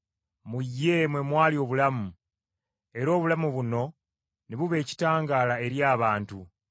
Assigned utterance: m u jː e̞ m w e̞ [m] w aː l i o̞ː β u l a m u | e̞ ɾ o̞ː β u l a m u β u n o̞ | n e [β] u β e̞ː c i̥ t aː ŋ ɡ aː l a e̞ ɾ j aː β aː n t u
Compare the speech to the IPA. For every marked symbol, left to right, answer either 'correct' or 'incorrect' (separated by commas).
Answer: correct, correct